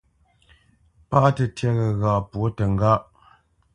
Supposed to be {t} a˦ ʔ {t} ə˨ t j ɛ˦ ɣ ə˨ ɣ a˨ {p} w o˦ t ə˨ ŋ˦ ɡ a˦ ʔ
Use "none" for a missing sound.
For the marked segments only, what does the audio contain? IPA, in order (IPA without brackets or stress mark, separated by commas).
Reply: p, t, p